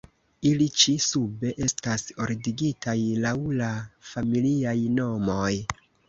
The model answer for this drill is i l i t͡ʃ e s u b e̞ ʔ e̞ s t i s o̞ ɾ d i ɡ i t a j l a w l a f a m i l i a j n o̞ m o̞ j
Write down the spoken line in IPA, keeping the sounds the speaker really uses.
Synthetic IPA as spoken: i l i t͡ʃ i s u b e̞ ʔ e̞ s t a s o̞ ɾ d i ɡ i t a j l a w l a f a m i l i a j n o̞ m o̞ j